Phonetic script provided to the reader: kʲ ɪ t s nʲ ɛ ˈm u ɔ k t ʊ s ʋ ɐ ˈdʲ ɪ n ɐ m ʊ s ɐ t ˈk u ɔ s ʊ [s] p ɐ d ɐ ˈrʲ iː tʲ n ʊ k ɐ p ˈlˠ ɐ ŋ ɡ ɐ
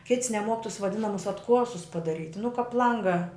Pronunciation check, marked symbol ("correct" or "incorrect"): correct